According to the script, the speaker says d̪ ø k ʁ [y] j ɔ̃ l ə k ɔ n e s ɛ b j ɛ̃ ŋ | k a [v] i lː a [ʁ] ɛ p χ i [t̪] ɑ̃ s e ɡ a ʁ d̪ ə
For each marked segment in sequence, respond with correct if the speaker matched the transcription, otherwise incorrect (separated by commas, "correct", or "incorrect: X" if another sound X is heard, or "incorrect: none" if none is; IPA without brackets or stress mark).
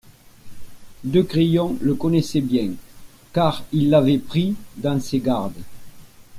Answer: incorrect: i, incorrect: ʁ, incorrect: v, incorrect: d̪